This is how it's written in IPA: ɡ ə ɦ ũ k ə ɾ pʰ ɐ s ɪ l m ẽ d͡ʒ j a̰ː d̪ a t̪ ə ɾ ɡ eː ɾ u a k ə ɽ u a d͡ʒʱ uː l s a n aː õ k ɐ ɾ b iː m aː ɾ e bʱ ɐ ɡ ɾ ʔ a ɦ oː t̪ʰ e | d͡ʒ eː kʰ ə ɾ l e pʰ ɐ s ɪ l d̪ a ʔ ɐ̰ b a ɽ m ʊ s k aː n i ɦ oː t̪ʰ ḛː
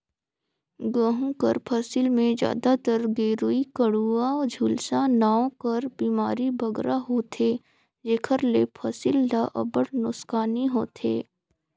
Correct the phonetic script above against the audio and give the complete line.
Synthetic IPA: ɡ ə ɦ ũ k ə ɾ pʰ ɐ s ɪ l m ẽ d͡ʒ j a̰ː d̪ a t̪ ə ɾ ɡ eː ɾ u i k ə ɽ u a d͡ʒʱ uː l s a n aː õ k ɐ ɾ b iː m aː ɾ i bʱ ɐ ɡ ɾ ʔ a ɦ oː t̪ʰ e | d͡ʒ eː kʰ ə ɾ l e pʰ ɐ s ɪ l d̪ a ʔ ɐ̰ b ə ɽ n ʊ s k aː n i ɦ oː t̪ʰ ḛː